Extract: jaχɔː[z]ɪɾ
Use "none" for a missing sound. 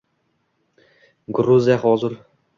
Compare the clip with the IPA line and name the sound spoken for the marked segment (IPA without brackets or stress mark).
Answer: z